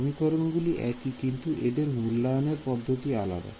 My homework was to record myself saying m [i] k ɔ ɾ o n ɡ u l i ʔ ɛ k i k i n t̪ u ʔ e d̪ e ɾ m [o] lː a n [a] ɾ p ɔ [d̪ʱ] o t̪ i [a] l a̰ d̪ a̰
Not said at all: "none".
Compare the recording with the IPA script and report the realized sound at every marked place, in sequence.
i, u, e, d̪ʱː, a

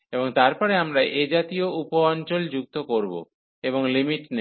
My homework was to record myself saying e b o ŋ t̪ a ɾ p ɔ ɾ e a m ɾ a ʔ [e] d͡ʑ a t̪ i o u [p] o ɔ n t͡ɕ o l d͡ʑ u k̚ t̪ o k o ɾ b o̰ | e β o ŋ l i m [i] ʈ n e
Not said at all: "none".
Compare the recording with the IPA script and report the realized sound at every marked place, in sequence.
e, p, i

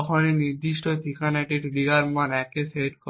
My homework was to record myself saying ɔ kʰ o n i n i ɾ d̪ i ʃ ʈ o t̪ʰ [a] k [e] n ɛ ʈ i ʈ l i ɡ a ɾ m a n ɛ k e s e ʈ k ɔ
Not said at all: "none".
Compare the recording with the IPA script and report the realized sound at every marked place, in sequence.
i, a

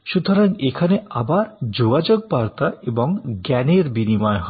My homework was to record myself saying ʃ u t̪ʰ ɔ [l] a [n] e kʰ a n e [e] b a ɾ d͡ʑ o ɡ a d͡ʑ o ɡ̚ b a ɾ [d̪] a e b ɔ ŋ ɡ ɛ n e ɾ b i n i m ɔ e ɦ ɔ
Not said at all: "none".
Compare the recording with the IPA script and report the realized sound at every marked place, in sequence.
ɾ, ŋ, a, t̪

